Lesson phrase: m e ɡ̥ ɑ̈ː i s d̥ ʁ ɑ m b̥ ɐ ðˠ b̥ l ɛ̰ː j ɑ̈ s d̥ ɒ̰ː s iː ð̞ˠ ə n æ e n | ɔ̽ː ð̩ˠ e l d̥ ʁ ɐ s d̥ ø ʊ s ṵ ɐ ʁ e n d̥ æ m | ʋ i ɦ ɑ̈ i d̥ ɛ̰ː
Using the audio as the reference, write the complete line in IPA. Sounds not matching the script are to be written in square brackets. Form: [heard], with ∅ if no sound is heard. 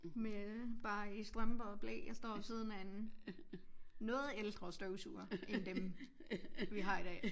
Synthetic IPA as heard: m e [b̥] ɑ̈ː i s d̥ ʁ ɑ m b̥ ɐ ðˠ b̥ l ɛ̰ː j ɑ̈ s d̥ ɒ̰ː s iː ð̞ˠ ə n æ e n | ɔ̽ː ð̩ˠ e l d̥ ʁ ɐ s d̥ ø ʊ s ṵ ɐ [∅] e n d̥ [e] m | ʋ i ɦ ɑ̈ i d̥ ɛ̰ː